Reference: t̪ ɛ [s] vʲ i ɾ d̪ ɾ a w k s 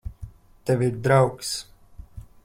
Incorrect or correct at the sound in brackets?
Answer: incorrect: none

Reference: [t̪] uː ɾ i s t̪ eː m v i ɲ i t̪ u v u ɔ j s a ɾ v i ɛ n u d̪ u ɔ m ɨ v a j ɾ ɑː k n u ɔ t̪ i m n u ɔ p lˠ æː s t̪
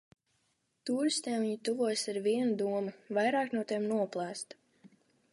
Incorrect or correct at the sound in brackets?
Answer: correct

